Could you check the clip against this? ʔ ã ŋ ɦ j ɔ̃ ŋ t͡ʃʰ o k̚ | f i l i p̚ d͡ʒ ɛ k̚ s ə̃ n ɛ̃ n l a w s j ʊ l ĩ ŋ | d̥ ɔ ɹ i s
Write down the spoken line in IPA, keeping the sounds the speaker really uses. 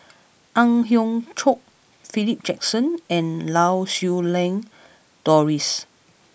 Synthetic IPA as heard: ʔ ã ŋ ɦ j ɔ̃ ŋ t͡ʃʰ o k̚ | f i l i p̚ d͡ʒ ɛ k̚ s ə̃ n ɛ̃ n l a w s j u l ɛ̃ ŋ | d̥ ɔ ɹ i s